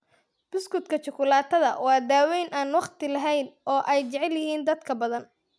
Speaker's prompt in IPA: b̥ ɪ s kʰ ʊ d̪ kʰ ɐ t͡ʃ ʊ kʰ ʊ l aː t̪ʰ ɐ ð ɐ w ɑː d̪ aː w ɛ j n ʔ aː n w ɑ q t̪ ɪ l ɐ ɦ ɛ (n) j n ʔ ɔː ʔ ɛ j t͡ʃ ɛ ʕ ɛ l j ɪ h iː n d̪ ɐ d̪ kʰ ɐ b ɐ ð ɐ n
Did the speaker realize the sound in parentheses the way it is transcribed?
no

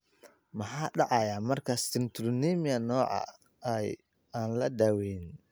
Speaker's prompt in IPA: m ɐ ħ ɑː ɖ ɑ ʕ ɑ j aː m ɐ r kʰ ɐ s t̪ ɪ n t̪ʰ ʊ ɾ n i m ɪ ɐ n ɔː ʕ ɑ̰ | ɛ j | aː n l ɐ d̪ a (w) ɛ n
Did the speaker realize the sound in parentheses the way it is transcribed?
yes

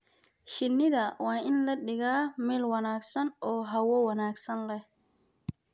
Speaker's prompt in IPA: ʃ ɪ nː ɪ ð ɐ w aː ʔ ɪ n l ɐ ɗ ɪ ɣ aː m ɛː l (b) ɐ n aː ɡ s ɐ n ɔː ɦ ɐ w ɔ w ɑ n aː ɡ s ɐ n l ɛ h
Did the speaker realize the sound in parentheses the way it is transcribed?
no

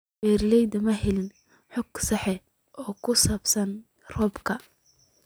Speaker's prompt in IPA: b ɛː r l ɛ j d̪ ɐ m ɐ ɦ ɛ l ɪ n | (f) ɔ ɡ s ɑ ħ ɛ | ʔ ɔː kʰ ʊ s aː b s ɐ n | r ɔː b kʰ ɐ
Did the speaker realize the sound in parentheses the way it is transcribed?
no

